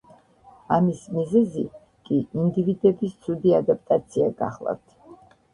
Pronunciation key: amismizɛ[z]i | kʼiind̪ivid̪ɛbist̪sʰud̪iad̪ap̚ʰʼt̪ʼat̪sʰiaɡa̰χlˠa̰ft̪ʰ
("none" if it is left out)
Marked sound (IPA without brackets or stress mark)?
z